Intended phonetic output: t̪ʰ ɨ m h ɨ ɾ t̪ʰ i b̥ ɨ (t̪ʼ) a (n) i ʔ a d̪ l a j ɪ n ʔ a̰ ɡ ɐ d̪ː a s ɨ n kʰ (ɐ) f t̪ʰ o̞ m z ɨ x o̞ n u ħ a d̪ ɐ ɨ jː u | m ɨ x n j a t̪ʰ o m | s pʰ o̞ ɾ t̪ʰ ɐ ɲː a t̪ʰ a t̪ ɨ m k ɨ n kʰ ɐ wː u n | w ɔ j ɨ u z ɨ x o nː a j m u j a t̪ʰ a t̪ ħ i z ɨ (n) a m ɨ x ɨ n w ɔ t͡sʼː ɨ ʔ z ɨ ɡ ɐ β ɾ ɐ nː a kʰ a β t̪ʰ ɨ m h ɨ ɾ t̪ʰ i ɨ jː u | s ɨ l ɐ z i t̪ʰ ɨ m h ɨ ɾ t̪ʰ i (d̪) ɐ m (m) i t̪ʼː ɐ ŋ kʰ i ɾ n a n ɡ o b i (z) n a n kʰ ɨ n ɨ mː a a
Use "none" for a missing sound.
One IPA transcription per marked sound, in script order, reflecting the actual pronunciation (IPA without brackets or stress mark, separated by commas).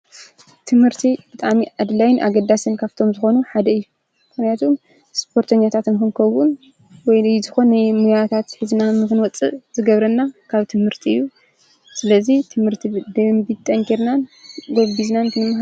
t̪ʼ, m, a, n, d̪, b, z